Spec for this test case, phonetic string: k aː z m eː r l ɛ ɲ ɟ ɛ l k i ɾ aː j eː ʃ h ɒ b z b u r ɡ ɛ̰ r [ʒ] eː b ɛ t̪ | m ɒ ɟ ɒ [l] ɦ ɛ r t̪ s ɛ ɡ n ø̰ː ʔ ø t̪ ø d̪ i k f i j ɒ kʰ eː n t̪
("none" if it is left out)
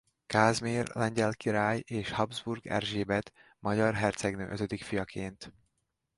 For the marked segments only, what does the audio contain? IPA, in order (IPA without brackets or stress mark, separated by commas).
ʒ, r